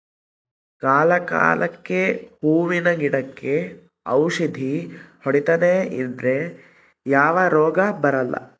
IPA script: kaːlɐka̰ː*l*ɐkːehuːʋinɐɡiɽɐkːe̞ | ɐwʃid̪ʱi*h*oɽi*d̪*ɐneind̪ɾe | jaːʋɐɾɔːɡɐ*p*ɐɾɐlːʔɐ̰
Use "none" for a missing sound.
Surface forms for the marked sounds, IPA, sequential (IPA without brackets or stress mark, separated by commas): l, h, t̪, b